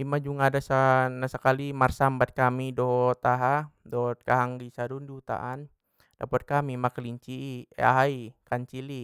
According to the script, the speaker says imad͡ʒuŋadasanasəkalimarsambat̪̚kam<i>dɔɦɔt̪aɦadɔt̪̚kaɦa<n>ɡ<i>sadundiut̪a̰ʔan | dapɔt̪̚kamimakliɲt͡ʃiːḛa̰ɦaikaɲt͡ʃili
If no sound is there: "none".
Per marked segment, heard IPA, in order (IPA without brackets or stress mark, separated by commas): i, ŋ, i